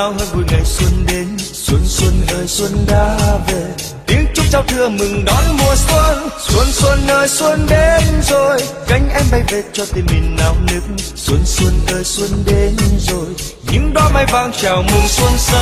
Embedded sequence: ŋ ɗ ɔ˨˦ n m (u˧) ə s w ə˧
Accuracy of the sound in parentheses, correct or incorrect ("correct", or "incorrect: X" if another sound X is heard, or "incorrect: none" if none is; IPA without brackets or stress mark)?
incorrect: u˨˩